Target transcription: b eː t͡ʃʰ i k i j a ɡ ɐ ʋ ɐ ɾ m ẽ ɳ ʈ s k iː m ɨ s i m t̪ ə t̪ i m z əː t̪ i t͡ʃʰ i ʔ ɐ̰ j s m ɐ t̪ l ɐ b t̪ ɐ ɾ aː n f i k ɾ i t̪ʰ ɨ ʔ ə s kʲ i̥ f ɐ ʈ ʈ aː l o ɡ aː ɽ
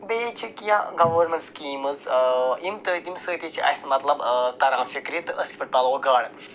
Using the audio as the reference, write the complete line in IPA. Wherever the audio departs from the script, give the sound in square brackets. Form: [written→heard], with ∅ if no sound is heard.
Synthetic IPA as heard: b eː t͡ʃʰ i k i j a ɡ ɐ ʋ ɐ ɾ m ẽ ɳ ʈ s k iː m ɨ [s→z] i m t̪ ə t̪ i m [z→s] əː t̪ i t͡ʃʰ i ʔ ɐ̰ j s m ɐ t̪ l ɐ b t̪ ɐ ɾ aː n f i k ɾ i [t̪ʰ→t̪] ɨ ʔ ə s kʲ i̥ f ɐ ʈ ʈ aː l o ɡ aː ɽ